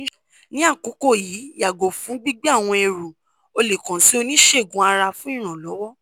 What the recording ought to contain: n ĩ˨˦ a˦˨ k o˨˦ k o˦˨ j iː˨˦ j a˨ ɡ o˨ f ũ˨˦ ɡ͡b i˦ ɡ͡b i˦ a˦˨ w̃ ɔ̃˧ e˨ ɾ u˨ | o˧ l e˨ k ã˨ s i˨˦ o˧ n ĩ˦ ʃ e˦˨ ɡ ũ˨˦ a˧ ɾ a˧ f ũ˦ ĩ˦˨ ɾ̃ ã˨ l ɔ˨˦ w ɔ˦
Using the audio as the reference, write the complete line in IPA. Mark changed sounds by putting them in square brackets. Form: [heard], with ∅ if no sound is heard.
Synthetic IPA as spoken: n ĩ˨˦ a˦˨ k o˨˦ k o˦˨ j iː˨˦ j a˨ ɡ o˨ f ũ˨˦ ɡ͡b i˦ ɡ͡b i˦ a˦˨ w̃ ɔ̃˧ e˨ ɾ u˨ | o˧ l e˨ k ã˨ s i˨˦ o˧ n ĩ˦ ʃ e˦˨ ɡ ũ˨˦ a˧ ɾ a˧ f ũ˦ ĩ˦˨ ɾ̃ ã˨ l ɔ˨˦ w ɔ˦